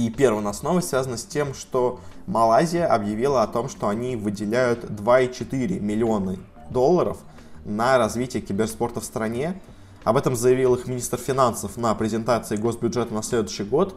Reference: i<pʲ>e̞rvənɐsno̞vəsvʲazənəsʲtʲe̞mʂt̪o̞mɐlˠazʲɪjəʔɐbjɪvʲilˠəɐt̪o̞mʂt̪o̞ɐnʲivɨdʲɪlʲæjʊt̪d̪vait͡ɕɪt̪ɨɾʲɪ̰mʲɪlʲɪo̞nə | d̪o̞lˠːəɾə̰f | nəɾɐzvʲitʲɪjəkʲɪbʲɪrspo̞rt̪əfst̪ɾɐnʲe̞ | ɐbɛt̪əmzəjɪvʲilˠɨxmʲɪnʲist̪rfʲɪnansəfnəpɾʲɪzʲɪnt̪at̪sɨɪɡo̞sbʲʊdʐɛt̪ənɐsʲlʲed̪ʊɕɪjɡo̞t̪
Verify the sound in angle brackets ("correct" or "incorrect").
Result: correct